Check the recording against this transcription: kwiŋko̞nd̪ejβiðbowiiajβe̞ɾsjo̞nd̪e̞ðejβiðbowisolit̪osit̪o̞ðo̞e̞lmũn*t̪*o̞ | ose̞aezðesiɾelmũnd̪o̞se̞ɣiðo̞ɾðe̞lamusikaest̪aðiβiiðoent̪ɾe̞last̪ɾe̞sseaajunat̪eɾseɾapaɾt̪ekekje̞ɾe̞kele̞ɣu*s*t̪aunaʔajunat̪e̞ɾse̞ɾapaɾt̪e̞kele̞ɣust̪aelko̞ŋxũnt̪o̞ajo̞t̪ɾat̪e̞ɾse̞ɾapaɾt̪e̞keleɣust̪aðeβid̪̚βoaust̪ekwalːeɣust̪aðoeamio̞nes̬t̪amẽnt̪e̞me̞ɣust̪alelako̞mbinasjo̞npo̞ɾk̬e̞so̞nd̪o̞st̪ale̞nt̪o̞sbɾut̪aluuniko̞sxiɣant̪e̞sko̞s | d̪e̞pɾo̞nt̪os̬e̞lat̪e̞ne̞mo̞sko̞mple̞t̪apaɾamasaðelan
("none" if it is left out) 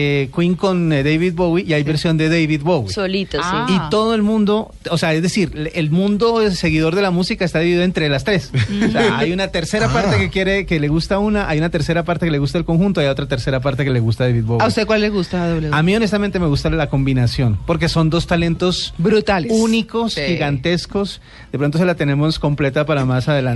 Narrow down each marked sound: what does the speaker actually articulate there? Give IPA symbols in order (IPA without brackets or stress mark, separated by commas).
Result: d̪, s